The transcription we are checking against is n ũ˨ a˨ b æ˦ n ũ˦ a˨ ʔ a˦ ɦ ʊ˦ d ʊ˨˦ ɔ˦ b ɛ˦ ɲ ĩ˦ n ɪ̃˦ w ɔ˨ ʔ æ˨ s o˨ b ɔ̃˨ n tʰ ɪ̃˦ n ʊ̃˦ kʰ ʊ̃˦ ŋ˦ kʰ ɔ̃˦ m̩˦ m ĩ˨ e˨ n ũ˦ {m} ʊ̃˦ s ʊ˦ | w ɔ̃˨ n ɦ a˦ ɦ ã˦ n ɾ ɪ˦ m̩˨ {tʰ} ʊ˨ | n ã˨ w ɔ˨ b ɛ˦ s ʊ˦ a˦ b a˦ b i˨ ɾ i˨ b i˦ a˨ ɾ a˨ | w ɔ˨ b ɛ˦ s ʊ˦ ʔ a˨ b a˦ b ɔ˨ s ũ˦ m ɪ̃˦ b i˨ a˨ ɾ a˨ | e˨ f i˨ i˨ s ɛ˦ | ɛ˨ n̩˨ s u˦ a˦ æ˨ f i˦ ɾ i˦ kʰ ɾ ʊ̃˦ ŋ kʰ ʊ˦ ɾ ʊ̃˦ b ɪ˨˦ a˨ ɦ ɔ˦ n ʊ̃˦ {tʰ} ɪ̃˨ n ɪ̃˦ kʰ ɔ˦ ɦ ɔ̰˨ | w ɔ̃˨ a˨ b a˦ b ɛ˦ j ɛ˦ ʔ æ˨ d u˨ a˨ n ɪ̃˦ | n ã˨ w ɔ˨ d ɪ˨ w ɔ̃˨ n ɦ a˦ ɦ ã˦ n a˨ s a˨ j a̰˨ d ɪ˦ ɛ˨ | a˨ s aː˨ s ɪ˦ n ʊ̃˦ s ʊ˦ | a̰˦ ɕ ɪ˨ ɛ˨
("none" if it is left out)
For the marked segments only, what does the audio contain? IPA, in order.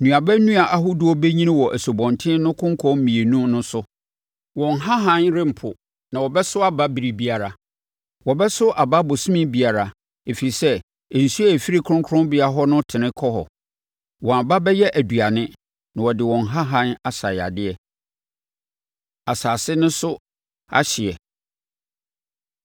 n, pʰ, tʰ

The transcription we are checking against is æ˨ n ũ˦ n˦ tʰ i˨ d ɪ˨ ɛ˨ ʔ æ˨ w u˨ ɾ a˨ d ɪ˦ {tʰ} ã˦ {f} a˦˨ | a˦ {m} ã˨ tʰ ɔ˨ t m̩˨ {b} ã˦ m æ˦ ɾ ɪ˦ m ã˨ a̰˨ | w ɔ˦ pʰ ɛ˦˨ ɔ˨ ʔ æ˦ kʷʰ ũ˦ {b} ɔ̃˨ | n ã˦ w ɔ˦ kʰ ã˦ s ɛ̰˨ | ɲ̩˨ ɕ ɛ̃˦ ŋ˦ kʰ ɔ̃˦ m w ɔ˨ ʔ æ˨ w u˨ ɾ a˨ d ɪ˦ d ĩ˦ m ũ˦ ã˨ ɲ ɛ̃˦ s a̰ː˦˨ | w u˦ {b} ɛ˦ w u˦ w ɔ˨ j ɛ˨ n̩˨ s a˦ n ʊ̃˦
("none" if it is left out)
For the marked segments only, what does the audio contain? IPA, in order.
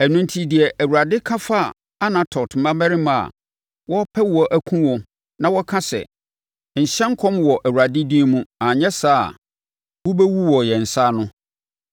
kʰ, f, n, m, w, b

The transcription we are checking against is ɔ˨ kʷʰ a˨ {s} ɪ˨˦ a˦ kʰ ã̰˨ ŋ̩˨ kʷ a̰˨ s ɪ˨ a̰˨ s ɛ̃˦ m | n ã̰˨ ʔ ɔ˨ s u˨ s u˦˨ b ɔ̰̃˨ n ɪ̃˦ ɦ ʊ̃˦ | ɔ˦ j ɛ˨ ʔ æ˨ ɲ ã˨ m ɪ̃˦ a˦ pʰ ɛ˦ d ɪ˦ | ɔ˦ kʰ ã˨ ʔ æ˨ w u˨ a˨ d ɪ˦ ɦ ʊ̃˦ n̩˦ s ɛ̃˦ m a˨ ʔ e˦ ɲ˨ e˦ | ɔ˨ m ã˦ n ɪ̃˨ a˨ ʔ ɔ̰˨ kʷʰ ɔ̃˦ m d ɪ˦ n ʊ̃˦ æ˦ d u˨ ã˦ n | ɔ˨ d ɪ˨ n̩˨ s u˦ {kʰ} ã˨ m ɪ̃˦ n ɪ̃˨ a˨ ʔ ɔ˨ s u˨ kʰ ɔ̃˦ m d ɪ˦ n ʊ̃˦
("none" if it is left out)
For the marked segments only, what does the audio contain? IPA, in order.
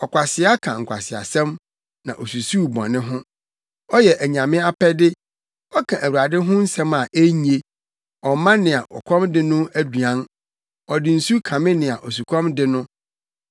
s, kʰ

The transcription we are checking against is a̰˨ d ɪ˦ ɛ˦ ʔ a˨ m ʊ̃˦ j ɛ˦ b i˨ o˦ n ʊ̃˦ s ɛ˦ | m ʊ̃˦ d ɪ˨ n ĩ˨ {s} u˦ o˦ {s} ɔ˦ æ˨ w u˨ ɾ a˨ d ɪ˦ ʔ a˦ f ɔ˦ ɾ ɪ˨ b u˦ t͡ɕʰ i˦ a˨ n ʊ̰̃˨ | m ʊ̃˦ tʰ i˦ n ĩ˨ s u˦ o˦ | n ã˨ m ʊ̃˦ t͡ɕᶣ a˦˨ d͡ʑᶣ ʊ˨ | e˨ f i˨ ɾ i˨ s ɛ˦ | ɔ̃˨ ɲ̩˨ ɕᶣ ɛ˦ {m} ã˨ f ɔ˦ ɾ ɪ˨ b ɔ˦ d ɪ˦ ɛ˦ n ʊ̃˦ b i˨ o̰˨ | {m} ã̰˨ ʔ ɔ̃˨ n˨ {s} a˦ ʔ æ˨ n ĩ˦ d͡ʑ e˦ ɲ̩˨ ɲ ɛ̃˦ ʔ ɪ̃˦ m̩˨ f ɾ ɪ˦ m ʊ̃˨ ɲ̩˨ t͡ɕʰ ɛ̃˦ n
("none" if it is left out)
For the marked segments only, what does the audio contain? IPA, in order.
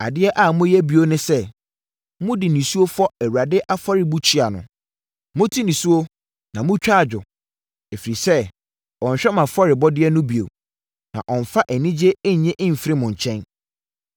s, f, m, n, f

